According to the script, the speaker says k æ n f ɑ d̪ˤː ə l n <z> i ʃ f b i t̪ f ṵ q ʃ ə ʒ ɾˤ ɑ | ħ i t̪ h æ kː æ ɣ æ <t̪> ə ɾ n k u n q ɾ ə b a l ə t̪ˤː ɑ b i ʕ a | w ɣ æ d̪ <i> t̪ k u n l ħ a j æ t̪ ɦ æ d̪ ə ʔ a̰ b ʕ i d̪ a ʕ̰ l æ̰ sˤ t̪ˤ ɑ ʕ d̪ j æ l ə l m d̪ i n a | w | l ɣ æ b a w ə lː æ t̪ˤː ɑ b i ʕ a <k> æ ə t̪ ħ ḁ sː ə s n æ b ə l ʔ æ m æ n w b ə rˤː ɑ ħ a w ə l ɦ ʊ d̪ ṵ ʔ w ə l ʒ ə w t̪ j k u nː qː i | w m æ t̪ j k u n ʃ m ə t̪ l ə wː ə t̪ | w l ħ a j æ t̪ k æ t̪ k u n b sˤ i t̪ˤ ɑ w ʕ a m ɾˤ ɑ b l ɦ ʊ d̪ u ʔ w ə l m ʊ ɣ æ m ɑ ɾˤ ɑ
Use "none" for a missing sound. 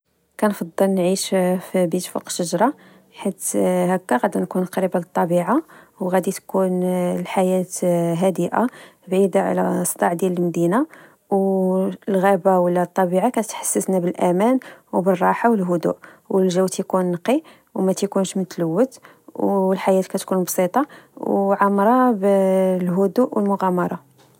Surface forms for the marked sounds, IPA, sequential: ʕ, d̪, i, k

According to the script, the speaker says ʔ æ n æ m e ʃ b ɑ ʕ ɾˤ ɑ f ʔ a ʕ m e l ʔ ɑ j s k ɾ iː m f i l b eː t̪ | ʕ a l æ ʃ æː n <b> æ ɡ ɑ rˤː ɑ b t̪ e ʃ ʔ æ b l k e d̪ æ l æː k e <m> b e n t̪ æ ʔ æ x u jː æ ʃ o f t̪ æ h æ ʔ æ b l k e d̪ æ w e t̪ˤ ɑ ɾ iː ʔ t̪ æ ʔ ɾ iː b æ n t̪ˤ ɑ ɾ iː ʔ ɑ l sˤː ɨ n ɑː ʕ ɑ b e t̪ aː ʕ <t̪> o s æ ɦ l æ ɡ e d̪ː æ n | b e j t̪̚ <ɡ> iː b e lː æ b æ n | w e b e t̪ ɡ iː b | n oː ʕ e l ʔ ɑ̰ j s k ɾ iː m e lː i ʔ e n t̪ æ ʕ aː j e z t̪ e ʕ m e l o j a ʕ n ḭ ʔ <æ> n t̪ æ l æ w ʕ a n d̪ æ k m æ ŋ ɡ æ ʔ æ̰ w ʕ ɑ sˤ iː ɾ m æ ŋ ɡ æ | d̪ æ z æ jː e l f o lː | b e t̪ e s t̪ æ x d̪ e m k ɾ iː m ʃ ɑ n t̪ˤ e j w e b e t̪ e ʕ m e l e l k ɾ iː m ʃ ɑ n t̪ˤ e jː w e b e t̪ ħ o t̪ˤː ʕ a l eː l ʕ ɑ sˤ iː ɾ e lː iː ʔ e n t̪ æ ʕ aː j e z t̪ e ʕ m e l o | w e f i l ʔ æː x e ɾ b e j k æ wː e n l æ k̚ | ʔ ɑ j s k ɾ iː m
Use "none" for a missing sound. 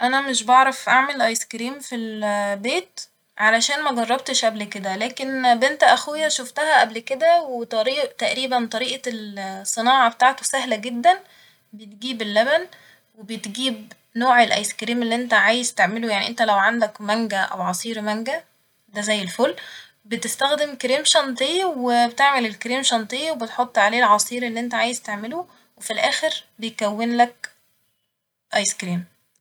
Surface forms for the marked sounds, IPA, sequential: m, n, t̪, ɡ, e

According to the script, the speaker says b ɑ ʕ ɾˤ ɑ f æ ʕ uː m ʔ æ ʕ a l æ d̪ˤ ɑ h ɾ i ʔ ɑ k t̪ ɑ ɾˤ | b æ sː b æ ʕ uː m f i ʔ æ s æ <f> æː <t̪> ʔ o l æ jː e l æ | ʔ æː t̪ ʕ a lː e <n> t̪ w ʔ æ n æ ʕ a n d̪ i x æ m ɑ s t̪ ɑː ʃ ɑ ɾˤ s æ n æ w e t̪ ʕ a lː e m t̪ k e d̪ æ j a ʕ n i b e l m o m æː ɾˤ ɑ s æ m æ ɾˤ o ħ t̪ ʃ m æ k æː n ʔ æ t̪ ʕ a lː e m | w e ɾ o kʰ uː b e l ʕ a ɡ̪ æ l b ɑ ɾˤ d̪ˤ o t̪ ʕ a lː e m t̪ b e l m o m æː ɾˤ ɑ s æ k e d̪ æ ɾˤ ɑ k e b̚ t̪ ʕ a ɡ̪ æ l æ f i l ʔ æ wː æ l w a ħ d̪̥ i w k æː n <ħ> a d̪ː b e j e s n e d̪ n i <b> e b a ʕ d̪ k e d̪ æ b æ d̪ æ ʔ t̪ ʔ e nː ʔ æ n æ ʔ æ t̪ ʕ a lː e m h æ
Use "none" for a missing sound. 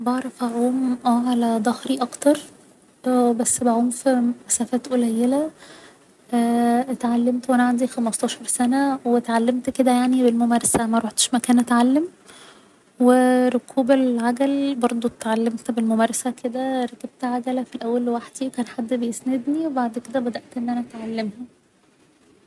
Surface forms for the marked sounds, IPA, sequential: f, t̪, m, ħ, w

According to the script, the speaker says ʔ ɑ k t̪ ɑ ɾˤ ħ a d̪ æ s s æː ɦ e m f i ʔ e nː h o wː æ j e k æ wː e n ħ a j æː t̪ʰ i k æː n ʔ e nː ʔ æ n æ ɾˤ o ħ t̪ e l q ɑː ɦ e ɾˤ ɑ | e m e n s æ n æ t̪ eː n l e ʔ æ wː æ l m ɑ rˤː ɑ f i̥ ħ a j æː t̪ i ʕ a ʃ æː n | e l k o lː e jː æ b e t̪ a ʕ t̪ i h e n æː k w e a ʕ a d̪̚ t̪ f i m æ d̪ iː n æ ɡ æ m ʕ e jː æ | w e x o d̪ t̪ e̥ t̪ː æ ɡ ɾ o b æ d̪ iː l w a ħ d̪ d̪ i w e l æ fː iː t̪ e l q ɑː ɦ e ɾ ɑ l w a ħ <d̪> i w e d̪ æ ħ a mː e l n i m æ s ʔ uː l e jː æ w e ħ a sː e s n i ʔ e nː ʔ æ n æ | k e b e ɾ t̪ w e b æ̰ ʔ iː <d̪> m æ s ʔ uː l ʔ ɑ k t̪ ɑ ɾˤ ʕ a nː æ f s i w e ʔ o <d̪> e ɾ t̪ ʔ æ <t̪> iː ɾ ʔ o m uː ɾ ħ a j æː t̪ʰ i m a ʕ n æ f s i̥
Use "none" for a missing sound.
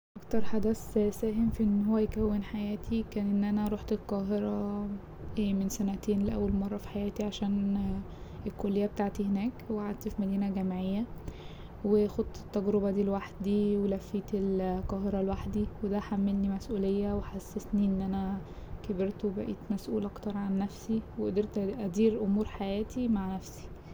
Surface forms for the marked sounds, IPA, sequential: d̪, t̪, d̪, d̪

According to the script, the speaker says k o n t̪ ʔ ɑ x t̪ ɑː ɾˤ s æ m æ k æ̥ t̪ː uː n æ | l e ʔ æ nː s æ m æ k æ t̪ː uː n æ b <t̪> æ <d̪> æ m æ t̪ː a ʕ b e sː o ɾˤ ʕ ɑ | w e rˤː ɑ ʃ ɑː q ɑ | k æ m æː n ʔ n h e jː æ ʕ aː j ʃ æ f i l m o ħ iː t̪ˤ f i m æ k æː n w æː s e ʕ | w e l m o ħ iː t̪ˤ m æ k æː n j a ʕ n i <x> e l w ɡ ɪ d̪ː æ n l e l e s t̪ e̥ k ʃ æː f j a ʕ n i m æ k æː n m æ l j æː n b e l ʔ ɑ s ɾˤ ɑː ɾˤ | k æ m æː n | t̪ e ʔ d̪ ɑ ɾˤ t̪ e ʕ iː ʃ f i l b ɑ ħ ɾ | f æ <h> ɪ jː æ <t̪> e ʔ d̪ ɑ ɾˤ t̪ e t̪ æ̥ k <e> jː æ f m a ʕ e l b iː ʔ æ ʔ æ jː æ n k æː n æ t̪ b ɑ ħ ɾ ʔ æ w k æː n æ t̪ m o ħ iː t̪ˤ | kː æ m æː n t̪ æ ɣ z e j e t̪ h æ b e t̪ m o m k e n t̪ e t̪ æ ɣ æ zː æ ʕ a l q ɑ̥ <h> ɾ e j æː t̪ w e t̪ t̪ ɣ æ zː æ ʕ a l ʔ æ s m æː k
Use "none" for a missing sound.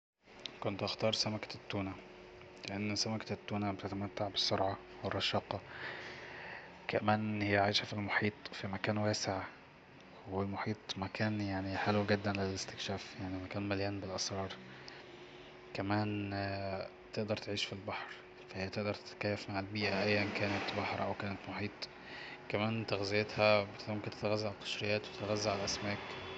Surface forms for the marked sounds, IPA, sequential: t̪, t̪, ħ, h, t̪, æ, ʃ

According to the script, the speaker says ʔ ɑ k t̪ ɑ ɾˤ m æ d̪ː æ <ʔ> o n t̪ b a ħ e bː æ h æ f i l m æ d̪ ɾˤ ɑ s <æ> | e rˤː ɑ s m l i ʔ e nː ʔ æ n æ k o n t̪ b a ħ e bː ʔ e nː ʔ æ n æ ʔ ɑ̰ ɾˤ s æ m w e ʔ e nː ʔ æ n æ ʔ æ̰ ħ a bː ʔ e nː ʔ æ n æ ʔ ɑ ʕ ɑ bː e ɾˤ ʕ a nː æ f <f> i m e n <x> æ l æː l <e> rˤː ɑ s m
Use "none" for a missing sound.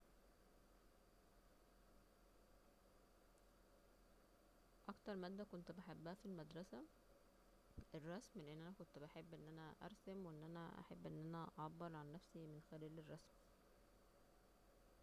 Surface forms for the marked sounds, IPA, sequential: k, æ, s, x, e

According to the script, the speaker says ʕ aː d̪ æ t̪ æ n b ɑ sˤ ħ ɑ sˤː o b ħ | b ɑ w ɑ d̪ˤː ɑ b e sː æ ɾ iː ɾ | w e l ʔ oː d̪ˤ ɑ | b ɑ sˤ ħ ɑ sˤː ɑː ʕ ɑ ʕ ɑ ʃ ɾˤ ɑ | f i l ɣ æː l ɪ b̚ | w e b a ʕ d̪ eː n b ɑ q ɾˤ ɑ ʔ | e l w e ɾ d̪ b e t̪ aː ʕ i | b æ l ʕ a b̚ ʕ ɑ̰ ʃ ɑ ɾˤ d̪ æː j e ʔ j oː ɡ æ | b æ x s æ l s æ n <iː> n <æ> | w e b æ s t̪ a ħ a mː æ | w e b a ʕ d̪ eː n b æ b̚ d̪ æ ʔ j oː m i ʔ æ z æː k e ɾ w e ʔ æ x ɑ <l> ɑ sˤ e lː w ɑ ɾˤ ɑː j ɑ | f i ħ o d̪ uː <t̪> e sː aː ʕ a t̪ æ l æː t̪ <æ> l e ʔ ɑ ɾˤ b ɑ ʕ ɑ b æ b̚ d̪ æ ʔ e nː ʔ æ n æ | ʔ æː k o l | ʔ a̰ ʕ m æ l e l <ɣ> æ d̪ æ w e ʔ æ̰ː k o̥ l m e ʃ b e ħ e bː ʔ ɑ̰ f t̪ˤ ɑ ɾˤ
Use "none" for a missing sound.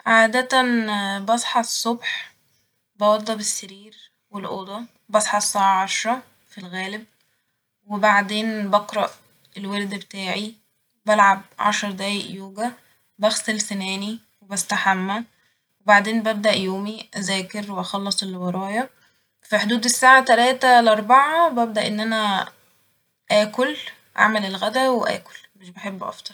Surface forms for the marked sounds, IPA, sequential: æː, i, lː, d̪, æ, ɣ

